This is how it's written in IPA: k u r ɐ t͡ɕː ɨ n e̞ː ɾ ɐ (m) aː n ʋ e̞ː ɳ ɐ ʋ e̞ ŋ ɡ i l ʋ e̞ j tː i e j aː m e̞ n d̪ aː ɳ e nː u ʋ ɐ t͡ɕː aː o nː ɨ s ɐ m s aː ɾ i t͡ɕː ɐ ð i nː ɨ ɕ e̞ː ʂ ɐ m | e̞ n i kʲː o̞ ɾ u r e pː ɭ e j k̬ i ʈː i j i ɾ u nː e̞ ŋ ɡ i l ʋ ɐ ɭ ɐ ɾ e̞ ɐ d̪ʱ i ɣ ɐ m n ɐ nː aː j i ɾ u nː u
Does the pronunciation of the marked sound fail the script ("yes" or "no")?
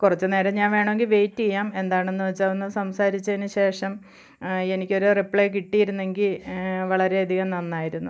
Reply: yes